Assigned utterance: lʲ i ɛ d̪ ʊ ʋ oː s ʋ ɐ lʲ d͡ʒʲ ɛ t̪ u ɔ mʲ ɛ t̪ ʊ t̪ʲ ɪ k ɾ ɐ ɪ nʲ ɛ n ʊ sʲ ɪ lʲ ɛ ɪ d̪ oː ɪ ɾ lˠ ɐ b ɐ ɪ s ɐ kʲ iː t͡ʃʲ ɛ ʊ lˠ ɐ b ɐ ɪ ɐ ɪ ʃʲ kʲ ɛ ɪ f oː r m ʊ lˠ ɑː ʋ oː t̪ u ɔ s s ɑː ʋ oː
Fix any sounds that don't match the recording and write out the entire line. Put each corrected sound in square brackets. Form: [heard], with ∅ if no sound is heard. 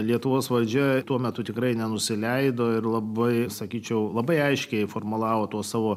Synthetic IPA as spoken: lʲ i ɛ [t̪] ʊ ʋ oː s ʋ ɐ lʲ d͡ʒʲ ɛ t̪ u ɔ mʲ ɛ t̪ ʊ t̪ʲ ɪ k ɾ ɐ ɪ nʲ ɛ n ʊ sʲ ɪ lʲ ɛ ɪ d̪ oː ɪ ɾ lˠ ɐ b ɐ ɪ s ɐ kʲ iː t͡ʃʲ ɛ ʊ lˠ ɐ b ɐ ɪ ɐ ɪ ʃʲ kʲ ɛ ɪ f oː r m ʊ lˠ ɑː ʋ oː t̪ u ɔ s s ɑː ʋ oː